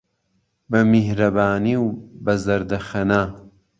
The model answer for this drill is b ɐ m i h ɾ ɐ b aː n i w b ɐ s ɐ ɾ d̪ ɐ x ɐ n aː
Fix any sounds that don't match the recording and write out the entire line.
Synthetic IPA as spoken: b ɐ m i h ɾ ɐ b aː n i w b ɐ z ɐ ɾ d̪ ɐ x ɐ n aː